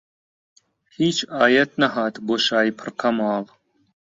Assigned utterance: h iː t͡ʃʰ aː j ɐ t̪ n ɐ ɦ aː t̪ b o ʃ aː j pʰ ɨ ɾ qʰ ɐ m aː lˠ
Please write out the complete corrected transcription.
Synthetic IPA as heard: h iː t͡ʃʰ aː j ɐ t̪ n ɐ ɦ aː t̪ b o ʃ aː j pʰ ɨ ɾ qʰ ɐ m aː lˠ